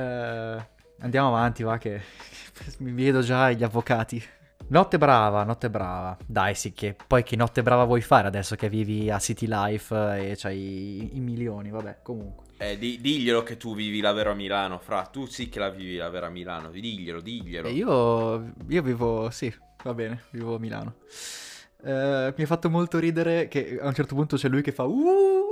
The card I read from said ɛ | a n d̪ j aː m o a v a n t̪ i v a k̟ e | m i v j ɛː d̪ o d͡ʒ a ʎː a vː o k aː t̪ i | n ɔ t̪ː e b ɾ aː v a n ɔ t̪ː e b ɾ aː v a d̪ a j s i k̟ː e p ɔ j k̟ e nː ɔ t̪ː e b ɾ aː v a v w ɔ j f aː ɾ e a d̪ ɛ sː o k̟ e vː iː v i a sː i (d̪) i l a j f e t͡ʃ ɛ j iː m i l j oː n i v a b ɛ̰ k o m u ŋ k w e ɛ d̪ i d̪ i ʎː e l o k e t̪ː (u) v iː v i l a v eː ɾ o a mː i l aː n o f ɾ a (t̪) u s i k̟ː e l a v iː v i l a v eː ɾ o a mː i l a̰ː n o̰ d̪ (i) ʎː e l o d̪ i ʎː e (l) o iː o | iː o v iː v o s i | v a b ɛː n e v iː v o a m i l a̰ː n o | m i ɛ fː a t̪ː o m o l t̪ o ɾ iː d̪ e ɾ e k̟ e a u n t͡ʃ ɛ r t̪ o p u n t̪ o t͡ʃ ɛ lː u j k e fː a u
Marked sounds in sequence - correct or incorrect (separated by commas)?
incorrect, correct, correct, correct, correct